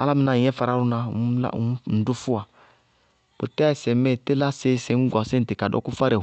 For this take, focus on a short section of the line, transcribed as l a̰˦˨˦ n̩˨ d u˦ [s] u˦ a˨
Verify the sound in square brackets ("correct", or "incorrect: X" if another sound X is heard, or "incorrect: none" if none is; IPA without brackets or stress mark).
incorrect: f